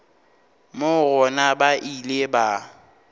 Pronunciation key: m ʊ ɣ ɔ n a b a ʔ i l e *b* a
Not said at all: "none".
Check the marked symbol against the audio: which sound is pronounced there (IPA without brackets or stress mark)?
b